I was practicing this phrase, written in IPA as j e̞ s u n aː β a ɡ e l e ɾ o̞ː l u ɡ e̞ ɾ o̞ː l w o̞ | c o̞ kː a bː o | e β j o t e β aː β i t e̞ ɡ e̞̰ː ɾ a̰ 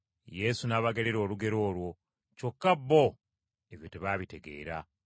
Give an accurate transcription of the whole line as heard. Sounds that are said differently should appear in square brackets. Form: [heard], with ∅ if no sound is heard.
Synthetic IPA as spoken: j e̞ s u n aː β a ɡ e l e ɾ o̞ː l u ɡ e̞ ɾ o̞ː l w o̞ | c o̞ kː a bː o | e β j o t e β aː β i t e̞ ɡ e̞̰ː ɾ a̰